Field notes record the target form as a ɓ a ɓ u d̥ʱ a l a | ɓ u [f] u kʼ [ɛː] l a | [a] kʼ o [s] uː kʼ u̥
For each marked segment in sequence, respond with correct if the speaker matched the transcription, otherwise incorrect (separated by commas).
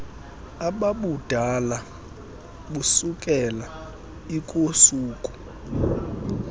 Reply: incorrect, incorrect, incorrect, correct